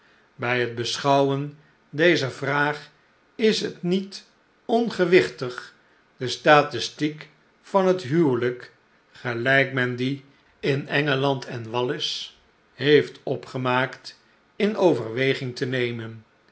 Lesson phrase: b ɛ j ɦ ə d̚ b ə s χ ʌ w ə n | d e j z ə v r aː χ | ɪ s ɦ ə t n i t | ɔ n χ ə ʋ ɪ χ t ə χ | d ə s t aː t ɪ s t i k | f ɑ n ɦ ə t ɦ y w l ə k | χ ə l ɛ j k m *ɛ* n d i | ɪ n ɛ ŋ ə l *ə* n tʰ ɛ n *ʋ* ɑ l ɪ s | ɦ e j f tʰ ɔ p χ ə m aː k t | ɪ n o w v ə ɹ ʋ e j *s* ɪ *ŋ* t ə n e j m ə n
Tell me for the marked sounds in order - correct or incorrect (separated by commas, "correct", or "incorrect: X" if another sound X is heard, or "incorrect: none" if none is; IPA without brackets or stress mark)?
correct, incorrect: ɑ, correct, incorrect: χ, correct